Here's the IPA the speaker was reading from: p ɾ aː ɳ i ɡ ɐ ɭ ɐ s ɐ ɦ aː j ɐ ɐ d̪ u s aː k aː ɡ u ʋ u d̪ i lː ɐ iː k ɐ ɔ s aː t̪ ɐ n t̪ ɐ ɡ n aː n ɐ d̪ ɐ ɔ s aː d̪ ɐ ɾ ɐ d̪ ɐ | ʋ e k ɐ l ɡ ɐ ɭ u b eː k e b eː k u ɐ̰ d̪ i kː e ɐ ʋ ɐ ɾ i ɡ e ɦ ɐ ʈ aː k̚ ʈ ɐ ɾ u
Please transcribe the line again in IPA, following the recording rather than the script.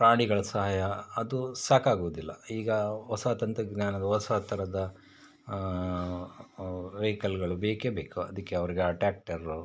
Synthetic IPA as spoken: p ɾ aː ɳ i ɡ ɐ ɭ ɐ s ɐ ɦ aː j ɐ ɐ d̪ u s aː k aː ɡ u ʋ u d̪ i lː ɐ iː ɡ ɐ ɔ s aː t̪ ɐ n t̪ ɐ ɡ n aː n ɐ d̪ ɐ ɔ s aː t̪ ɐ ɾ ɐ d̪ ɐ | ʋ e k ɐ l ɡ ɐ ɭ u b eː k e b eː k u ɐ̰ d̪ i kː e ɐ ʋ ɐ ɾ i ɡ e ɐ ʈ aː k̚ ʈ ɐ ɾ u